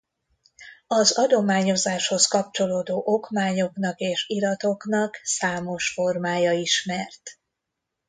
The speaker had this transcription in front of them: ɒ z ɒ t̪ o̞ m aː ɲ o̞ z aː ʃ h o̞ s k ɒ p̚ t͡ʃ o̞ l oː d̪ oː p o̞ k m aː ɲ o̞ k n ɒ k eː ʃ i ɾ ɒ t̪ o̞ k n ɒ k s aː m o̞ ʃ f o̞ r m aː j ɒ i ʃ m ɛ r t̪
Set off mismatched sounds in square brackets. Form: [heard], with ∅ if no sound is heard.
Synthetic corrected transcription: ɒ z ɒ [d̪] o̞ m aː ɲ o̞ z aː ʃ h o̞ s k ɒ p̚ t͡ʃ o̞ l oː d̪ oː [ʔ] o̞ k m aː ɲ o̞ k n ɒ k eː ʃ i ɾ ɒ t̪ o̞ k n ɒ k s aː m o̞ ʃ f o̞ r m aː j ɒ i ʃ m ɛ r t̪

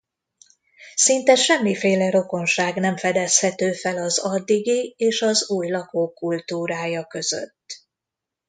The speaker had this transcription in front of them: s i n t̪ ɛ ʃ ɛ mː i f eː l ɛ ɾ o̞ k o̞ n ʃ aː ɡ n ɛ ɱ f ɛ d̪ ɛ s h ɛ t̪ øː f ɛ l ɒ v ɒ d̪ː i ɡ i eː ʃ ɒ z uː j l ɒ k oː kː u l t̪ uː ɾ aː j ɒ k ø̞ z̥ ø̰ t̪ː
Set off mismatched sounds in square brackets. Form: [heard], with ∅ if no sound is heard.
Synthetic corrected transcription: s i n t̪ ɛ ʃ ɛ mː i f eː l ɛ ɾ o̞ k o̞ n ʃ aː ɡ n ɛ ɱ f ɛ d̪ ɛ s h ɛ t̪ øː f ɛ l ɒ [z] ɒ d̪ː i ɡ i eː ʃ ɒ z uː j l ɒ k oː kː u l t̪ uː ɾ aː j ɒ k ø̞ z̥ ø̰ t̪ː

